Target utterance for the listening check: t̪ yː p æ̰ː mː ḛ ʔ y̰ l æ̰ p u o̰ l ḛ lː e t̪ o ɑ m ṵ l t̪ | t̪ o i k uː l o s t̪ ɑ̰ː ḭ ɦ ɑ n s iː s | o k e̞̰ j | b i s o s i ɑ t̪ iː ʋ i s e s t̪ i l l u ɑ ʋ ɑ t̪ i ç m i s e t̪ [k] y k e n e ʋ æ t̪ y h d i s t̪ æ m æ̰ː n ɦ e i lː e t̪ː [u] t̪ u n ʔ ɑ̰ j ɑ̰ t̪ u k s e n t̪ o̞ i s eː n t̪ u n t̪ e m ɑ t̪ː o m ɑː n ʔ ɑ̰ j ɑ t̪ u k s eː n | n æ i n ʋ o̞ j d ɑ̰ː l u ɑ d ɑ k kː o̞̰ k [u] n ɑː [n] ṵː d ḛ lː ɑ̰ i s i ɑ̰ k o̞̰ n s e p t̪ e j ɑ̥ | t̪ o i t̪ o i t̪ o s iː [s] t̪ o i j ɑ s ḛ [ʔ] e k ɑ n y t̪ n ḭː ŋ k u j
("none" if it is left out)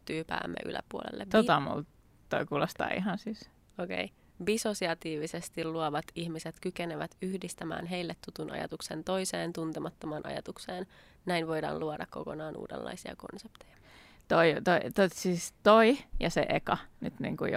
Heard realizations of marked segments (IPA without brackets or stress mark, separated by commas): k, u, o, n, s, ʔ